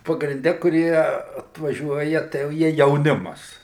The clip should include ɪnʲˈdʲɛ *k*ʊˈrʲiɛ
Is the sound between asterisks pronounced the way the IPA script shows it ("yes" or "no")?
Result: yes